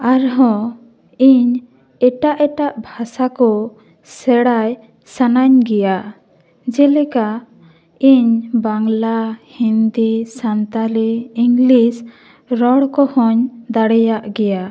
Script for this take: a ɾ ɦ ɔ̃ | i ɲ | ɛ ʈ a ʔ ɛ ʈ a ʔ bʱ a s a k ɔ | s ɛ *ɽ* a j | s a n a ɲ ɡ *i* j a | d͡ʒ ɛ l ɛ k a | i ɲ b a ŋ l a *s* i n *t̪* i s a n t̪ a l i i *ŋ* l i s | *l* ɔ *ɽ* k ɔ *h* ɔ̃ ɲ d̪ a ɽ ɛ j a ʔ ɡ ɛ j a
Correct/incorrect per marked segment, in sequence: correct, incorrect: ɛ, incorrect: h, incorrect: d̪, correct, incorrect: ɾ, correct, correct

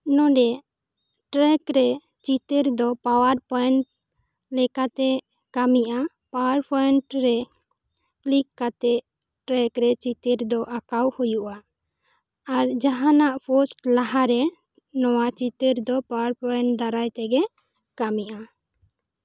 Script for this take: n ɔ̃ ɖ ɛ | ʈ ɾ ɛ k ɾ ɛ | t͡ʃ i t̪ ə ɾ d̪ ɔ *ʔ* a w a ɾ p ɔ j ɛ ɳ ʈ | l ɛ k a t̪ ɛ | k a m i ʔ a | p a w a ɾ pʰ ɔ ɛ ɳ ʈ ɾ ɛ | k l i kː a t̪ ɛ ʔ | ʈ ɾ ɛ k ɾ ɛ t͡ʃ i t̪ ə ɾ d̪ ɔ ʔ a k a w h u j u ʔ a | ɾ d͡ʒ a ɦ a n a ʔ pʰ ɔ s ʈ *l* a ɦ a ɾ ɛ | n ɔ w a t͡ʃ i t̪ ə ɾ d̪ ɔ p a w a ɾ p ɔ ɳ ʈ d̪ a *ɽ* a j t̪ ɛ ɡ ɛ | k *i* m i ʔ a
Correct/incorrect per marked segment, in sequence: incorrect: p, correct, incorrect: ɾ, incorrect: a

